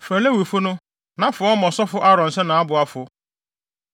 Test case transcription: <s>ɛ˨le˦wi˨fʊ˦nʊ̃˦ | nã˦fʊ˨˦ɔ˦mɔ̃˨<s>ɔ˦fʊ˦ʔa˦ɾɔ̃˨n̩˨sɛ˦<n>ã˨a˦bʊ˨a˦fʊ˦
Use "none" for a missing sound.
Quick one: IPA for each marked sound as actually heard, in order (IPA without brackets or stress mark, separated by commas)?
f, s, n